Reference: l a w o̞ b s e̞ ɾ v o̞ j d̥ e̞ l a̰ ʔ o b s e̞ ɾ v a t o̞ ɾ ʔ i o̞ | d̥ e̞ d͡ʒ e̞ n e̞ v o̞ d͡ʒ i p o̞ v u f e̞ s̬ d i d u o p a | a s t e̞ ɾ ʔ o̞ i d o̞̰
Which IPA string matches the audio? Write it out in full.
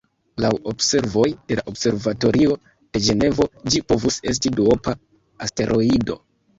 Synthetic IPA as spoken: l a w o̞ b s e̞ ɾ v o̞ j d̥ e̞ l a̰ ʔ o b s e̞ ɾ v a t o̞ ɾ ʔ i o̞ | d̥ e̞ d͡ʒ e̞ n e̞ v o̞ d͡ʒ i p o̞ v u s e̞ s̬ t i d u o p a | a s t e̞ ɾ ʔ o̞ i d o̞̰